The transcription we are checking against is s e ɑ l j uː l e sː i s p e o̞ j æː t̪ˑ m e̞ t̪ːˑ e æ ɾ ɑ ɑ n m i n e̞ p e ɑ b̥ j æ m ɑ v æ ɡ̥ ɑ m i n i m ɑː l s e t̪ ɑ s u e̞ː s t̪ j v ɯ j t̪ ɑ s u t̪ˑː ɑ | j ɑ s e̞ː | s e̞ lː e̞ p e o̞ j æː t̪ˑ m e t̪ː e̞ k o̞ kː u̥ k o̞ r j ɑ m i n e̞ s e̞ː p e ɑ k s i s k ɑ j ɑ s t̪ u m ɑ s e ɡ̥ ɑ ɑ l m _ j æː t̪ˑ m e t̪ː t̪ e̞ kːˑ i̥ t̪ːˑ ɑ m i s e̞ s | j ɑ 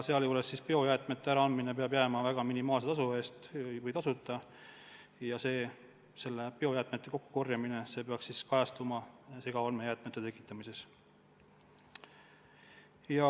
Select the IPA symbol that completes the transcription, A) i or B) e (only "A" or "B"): B